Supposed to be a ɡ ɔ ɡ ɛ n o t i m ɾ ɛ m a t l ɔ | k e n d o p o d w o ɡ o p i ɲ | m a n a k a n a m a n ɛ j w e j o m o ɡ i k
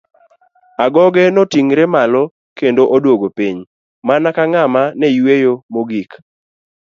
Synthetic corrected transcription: a ɡ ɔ ɡ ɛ n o t i ŋ ɾ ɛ m a l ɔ | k e n d o ʔ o d w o ɡ o p i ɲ | m a n a k a ŋ a m a n ɛ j w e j o m o ɡ i k

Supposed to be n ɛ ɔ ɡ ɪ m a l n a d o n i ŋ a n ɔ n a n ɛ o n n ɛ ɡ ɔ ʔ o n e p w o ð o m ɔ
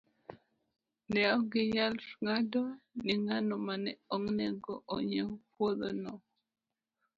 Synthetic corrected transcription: n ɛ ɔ ɡ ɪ ɲ a l ŋ a d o n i ŋ a n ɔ m a n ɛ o ŋ n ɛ ɡ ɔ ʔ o ɲ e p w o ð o n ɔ

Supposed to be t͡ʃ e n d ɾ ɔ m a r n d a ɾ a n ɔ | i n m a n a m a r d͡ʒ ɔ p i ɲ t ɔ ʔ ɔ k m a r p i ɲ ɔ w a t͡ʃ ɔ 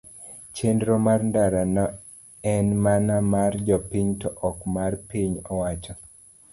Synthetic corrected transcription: t͡ʃ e n d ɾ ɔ m a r n d a ɾ a n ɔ | ɛ n m a n a m a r d͡ʒ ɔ p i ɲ t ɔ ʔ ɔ k m a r p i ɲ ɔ w a t͡ʃ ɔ

